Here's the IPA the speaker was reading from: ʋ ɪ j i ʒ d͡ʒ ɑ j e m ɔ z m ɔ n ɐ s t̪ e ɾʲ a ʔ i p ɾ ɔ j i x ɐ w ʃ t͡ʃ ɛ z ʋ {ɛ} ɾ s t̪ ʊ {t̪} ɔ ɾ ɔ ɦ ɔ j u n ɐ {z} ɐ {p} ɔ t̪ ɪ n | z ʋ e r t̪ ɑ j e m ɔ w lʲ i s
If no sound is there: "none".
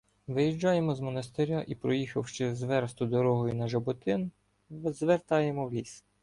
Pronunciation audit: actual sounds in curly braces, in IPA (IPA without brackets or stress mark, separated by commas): ɛ, d̪, ʒ, b